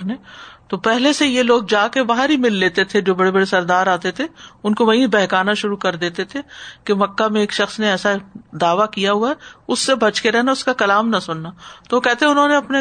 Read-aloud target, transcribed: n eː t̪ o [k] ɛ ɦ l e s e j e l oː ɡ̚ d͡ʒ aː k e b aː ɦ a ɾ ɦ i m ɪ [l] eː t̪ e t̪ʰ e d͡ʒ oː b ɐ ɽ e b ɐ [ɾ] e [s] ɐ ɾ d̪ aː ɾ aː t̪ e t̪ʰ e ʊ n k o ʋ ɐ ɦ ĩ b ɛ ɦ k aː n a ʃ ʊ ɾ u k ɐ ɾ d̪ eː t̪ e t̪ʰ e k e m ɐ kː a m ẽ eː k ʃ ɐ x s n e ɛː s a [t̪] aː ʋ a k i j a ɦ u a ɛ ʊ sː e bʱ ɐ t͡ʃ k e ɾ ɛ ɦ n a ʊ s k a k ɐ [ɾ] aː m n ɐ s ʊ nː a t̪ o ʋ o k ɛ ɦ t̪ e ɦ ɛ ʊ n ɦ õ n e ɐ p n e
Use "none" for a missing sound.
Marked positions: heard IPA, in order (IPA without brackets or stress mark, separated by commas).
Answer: p, lː, ɽ, s, d̪, l